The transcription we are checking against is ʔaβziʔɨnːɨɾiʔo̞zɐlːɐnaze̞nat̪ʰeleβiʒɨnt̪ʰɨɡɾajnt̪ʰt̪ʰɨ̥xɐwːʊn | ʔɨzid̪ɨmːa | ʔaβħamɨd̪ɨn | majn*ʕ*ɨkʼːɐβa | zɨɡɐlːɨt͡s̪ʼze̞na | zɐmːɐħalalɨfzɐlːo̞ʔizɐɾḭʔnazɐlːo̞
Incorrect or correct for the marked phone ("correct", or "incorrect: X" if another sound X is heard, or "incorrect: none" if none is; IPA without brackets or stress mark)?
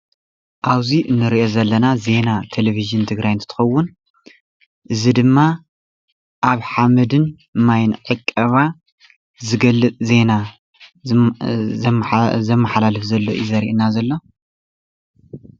correct